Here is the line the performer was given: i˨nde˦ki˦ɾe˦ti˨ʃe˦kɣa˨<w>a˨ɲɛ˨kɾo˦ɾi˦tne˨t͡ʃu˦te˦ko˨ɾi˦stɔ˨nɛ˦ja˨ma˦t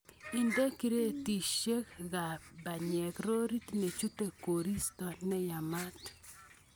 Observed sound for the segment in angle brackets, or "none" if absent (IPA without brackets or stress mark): b